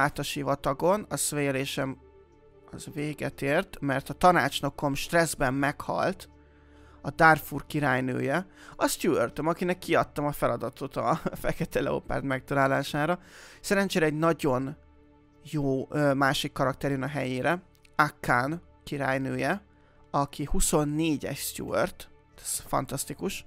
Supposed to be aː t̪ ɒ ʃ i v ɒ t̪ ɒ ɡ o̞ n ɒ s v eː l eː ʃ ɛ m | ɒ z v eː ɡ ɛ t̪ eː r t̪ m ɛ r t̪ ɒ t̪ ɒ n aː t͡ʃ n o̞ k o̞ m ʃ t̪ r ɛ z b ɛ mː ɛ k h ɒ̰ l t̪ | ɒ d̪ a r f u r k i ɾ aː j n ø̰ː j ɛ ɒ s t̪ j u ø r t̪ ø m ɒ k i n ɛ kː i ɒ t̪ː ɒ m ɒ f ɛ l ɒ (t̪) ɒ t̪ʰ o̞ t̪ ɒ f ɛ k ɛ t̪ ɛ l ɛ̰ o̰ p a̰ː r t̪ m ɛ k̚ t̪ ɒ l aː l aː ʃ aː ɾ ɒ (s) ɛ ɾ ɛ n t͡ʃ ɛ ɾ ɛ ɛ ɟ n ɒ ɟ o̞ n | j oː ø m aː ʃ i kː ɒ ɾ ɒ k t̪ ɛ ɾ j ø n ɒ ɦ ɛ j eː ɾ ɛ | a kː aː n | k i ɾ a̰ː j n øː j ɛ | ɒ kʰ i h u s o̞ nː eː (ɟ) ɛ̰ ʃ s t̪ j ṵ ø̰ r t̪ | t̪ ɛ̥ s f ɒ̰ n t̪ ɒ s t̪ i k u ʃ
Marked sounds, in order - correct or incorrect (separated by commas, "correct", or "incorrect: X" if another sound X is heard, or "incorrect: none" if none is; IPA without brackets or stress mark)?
incorrect: d̪, correct, correct